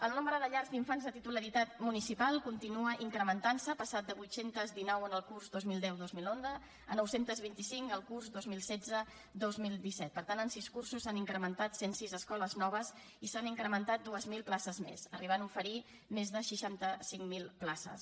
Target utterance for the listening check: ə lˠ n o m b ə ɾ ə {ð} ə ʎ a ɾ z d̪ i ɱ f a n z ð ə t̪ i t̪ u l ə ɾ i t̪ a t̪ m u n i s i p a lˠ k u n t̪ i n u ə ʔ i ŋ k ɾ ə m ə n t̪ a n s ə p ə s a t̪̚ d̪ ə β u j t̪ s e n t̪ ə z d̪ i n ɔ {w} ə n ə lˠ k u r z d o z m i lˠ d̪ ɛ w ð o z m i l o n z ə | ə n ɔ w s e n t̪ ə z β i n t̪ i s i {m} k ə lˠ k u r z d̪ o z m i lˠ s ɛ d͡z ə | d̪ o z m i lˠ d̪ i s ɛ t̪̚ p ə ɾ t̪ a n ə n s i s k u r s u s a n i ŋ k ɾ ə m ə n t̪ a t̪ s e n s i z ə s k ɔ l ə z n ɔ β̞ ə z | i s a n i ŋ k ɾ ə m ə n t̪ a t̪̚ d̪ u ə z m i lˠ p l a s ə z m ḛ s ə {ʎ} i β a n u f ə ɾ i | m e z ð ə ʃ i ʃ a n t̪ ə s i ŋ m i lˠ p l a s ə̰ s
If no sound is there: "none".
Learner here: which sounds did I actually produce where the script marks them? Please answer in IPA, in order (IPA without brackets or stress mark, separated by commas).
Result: ð, w, ŋ, r